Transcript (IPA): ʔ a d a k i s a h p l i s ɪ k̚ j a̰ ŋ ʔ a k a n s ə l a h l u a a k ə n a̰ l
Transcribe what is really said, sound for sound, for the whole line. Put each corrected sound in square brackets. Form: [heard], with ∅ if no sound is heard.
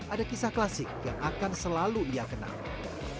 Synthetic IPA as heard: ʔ a d a k i s a h [k] l [a] s ɪ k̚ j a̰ ŋ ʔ a k a n s ə l a [∅] l u [i] a k ə n a̰ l